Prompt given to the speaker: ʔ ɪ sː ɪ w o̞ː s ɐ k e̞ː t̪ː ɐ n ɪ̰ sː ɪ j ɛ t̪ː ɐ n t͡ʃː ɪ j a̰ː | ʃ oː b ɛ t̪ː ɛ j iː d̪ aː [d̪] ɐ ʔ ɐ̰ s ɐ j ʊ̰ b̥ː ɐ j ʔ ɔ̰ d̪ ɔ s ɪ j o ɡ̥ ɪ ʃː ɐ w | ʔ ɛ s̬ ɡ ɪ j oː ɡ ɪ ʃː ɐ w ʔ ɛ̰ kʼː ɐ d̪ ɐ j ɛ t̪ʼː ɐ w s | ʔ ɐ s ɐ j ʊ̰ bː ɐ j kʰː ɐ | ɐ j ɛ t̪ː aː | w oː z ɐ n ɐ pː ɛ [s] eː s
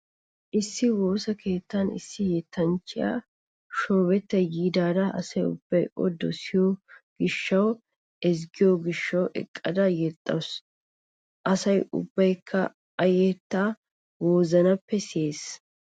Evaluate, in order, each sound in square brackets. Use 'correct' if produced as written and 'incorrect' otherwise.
correct, correct

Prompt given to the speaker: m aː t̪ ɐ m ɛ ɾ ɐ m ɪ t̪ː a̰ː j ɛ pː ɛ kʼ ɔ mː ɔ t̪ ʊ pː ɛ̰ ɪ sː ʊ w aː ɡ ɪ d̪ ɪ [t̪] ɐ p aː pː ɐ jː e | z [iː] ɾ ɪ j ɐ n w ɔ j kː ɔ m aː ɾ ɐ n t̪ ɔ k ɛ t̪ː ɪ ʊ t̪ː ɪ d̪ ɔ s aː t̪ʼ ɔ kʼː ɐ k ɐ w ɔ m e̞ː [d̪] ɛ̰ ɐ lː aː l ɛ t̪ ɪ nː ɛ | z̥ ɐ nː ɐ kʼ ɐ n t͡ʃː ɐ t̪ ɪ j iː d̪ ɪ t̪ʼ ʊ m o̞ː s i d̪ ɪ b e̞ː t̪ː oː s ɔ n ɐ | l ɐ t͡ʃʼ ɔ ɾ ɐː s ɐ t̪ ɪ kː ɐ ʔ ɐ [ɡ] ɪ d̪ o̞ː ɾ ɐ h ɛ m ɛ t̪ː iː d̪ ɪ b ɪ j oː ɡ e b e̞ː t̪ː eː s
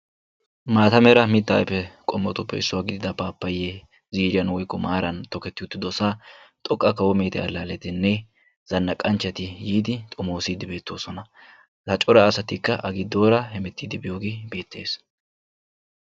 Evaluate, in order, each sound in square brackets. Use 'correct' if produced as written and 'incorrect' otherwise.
incorrect, correct, incorrect, correct

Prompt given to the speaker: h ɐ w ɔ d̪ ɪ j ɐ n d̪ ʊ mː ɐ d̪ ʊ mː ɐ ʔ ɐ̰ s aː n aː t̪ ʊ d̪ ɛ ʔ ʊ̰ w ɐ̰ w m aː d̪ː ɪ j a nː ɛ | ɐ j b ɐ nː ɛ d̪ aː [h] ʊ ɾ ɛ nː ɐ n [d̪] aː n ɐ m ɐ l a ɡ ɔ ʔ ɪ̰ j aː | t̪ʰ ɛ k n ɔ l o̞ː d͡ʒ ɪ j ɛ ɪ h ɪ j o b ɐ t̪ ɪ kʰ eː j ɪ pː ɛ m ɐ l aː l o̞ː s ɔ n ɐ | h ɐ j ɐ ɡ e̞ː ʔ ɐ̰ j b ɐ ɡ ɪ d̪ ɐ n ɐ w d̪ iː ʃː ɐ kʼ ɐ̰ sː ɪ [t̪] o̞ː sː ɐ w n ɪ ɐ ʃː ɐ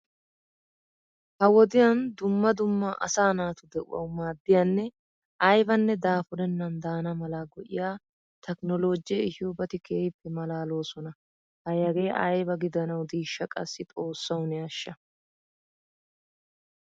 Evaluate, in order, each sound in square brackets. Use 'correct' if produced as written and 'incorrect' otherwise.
incorrect, correct, incorrect

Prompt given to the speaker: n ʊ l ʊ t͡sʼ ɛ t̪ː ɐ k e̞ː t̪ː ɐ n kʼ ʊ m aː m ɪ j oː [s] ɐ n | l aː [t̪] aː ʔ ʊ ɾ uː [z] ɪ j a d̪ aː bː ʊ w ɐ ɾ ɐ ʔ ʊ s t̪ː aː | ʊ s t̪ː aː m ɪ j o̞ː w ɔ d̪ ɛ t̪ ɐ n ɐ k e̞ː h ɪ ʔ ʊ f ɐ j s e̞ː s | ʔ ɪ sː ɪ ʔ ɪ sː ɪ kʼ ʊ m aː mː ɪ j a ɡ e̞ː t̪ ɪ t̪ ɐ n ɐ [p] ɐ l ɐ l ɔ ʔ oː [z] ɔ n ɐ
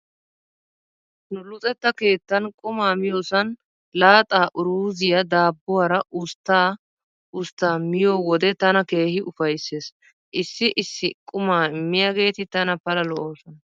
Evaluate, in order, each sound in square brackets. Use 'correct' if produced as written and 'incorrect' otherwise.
correct, incorrect, correct, correct, incorrect

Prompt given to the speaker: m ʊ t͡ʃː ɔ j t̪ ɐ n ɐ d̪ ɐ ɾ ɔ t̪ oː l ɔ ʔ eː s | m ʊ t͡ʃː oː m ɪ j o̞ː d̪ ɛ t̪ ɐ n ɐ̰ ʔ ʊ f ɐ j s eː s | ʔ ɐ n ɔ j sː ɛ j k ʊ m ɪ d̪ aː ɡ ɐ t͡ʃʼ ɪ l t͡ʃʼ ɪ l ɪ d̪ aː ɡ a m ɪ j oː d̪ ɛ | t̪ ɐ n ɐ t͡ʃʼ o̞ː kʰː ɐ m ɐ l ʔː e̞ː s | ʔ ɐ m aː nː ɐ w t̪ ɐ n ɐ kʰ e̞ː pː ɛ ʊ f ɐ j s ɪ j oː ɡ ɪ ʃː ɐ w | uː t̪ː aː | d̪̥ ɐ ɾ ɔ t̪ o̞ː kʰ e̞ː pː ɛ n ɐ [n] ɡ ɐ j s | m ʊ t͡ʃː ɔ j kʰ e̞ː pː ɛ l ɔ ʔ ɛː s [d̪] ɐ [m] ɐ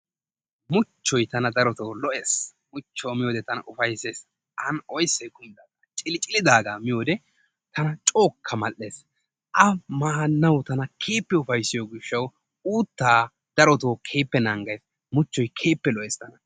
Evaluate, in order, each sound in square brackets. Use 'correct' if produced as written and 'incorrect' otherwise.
incorrect, incorrect, incorrect

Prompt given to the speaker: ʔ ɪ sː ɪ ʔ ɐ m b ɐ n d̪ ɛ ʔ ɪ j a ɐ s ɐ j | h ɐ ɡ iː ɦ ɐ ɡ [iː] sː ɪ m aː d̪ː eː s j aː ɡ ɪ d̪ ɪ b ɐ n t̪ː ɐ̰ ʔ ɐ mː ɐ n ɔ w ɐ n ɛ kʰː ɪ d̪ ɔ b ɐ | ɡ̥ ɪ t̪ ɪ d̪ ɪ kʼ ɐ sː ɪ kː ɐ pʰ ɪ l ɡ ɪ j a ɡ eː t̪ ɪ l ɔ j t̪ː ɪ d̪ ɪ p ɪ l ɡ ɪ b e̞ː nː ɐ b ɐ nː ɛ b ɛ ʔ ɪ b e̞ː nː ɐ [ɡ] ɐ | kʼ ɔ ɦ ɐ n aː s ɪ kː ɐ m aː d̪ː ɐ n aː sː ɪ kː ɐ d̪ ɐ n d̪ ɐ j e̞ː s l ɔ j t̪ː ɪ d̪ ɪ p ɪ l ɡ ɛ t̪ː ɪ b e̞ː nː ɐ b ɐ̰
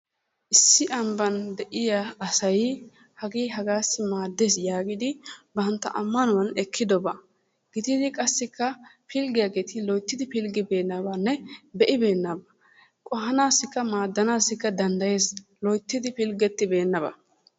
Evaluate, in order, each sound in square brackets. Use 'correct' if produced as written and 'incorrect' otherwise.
incorrect, incorrect

